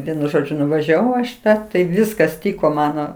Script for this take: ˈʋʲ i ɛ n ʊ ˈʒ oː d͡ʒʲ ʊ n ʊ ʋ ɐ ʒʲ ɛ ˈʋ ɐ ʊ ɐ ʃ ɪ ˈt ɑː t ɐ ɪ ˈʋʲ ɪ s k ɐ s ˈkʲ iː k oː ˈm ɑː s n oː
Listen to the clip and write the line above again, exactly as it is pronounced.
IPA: ˈʋʲ i ɛ n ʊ ˈʒ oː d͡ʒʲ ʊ n ʊ ʋ ɐ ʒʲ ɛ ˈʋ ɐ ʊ ɐ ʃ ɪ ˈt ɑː t ɐ ɪ ˈʋʲ ɪ s k ɐ s ˈtʲ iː k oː ˈm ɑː n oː